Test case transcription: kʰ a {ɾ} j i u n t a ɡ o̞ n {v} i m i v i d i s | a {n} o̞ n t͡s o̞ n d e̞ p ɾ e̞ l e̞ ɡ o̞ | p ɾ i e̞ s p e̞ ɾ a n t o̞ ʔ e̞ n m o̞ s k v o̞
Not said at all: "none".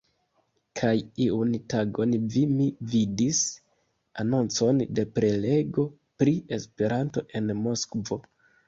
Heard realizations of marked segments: none, v, n

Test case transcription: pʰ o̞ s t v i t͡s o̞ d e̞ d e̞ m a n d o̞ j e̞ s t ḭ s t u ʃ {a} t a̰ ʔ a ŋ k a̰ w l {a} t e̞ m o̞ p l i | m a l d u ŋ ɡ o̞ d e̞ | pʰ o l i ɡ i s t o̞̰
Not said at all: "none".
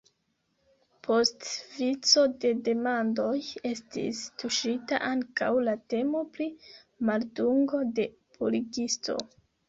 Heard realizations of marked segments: i, a

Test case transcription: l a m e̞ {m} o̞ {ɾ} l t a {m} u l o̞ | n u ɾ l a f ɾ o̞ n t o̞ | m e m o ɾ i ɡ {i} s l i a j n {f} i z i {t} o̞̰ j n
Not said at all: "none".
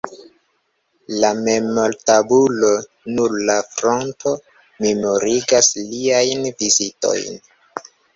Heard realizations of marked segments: m, none, b, a, v, t

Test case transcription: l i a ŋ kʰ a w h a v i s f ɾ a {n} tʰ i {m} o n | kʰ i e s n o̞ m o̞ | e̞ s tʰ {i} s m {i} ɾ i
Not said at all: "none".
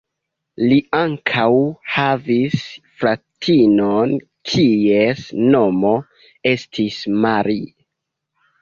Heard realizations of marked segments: none, n, i, a

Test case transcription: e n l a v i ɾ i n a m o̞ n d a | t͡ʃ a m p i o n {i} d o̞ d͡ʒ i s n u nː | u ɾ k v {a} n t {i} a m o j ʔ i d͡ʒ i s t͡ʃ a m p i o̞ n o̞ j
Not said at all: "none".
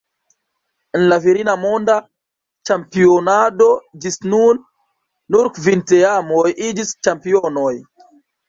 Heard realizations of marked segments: a, i, e

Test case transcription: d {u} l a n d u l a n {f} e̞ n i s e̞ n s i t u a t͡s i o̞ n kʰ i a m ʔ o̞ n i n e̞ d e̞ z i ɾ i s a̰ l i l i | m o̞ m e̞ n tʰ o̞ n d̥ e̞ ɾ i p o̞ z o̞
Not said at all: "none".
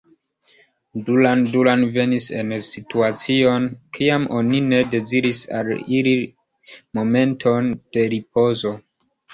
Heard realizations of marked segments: u, v

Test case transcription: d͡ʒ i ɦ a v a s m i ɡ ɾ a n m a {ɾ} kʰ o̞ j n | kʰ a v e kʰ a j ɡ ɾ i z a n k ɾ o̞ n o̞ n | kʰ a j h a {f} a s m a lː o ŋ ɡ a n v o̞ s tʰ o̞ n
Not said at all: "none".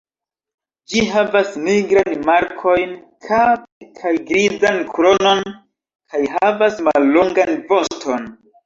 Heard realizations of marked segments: ɾ, v

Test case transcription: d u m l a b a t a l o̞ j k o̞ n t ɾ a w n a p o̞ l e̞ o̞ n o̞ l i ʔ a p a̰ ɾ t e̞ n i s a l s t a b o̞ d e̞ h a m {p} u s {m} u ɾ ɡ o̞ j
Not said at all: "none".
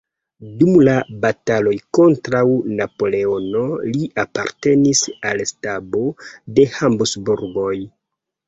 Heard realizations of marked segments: b, b

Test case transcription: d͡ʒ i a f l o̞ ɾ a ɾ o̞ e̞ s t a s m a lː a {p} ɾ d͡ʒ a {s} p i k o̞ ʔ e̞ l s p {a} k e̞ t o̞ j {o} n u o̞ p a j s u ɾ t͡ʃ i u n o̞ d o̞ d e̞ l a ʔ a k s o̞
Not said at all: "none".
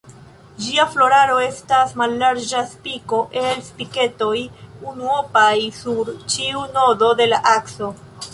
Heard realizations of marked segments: none, s, i, u

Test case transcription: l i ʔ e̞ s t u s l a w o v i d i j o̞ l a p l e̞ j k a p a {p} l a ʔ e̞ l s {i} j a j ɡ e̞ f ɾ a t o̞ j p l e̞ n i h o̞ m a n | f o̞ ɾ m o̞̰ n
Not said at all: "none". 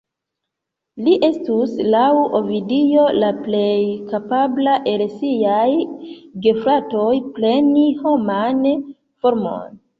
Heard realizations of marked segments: b, i

